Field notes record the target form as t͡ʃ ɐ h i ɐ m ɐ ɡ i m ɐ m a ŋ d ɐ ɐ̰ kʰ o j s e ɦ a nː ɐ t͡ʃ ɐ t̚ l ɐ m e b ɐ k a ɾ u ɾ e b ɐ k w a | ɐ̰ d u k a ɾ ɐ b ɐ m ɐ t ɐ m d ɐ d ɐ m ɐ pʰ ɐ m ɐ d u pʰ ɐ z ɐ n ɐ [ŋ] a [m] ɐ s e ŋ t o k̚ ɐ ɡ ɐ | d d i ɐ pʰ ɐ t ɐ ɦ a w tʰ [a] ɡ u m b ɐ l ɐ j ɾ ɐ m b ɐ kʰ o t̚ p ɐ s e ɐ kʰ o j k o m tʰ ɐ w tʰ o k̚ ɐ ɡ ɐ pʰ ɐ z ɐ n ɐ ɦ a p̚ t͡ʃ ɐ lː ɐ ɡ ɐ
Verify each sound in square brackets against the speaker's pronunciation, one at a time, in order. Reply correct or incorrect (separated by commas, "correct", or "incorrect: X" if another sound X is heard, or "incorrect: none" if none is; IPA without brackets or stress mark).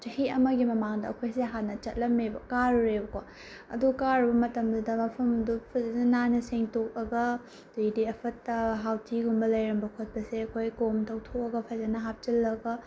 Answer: incorrect: n, incorrect: n, incorrect: i